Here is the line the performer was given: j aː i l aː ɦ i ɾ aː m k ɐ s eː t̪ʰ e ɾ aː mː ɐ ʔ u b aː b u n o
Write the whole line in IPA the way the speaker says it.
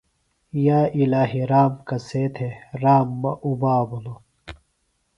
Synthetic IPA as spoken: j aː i l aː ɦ i ɾ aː m k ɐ s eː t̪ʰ e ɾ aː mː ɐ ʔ u b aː b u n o